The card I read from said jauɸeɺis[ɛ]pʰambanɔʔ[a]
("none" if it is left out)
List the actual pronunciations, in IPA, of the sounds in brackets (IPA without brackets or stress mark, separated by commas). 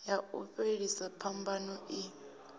a, i